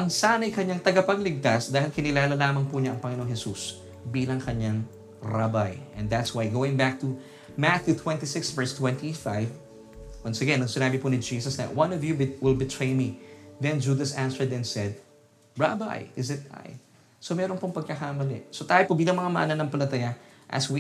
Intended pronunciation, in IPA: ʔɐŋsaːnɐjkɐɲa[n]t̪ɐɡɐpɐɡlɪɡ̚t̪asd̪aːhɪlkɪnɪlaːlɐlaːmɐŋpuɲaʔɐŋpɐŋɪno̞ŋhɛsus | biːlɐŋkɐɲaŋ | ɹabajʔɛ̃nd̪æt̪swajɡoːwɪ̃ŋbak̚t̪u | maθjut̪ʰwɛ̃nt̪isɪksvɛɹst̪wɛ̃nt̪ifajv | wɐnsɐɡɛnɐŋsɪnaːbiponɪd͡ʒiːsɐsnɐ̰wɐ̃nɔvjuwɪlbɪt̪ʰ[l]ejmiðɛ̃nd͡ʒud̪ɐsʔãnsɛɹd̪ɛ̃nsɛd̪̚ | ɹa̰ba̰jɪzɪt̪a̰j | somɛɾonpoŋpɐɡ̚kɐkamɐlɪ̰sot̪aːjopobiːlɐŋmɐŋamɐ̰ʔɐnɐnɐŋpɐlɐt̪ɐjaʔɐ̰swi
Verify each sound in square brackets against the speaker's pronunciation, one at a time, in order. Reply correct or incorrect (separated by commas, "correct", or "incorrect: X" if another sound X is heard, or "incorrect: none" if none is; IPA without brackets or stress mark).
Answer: incorrect: ŋ, incorrect: ɹ